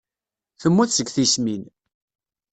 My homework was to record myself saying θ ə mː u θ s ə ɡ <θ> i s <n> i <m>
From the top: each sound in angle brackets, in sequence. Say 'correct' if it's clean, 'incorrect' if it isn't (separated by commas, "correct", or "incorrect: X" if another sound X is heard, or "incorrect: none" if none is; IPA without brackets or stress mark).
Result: correct, incorrect: m, incorrect: n